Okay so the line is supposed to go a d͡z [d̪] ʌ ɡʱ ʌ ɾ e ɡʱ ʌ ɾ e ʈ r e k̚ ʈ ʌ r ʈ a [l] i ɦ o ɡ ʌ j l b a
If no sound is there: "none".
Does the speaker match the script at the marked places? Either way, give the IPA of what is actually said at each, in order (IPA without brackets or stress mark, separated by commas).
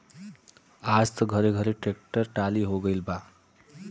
t̪, l